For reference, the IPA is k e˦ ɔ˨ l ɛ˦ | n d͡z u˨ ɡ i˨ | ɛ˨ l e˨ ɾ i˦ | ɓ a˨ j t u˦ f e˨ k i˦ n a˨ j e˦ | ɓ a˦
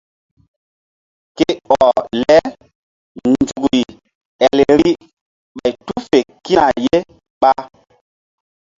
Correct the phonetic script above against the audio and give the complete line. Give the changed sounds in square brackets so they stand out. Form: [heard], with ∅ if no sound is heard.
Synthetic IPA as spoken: k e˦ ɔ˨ l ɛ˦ | n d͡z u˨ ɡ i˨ | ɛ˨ l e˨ ɾ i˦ | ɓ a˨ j t u˦ f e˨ k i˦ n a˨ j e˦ | ɓ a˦